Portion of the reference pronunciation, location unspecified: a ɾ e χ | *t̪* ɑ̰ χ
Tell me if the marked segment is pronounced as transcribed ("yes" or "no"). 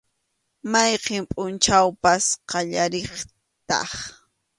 yes